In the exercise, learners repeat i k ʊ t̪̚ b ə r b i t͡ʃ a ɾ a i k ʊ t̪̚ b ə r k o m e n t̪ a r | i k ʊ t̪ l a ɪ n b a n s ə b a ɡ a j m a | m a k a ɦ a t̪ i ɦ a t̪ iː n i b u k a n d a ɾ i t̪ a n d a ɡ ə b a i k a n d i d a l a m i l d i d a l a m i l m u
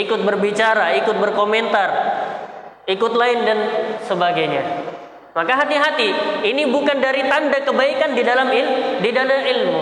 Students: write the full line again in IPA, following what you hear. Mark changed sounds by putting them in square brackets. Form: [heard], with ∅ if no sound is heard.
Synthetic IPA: i k ʊ t̪̚ b ə r b i t͡ʃ a ɾ a i k ʊ t̪̚ b ə r k o m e n t̪ a r | i k ʊ t̪ l a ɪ n [d] a n s ə b a ɡ a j [ɲ] a | m a k a ɦ a t̪ i ɦ a t̪ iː n i b u k a n d a ɾ i t̪ a n d a [k] ə b a i k a n d i d a l a m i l d i d a l a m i l m u